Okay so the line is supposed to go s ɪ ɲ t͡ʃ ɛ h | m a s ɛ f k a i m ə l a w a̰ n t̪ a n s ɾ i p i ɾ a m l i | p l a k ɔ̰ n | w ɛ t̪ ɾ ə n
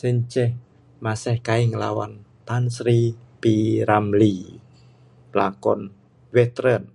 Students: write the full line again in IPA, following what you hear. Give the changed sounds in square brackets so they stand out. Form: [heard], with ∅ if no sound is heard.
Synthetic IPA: s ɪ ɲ t͡ʃ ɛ h | m a s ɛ [h] k a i [ŋ] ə l a w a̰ n t̪ a n s ɾ i p i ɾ a m l i | p l a k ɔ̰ n | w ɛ t̪ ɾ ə n